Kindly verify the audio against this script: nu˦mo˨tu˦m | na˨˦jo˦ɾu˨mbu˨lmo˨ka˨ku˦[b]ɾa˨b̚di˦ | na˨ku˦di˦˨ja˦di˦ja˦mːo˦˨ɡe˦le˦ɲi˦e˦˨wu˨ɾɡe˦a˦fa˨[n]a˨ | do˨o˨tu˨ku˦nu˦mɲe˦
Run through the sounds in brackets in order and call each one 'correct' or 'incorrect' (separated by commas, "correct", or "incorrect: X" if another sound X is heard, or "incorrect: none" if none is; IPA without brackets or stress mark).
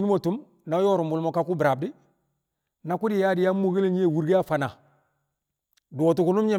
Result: correct, correct